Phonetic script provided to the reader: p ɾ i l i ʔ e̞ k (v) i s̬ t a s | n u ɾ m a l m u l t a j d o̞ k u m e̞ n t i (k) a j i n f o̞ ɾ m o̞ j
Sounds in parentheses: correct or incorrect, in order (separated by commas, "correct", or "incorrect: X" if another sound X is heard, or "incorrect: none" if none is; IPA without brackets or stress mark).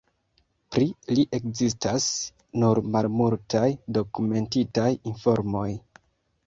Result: incorrect: z, incorrect: t